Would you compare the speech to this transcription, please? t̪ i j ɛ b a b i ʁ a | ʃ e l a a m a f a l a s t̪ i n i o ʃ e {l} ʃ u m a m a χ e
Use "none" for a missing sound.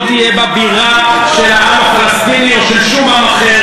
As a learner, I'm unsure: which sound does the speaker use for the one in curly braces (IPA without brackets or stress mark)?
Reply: l